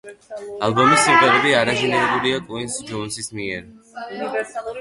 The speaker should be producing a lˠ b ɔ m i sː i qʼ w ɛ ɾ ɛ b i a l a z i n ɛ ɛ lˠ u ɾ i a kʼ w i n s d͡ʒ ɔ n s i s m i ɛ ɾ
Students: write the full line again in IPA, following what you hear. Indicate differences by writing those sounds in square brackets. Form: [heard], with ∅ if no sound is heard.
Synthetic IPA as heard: a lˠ b ɔ m i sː i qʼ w ɛ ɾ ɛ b i a [ɾ] a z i n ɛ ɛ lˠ u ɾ i a kʼ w i n s d͡ʒ ɔ n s i s m i ɛ ɾ